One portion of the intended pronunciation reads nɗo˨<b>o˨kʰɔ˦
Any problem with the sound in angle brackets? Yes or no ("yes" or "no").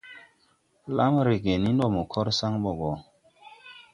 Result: yes